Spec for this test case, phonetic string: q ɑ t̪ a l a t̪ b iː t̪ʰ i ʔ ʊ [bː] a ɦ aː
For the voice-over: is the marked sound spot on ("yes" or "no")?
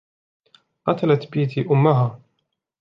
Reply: no